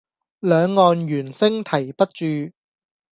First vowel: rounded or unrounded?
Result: rounded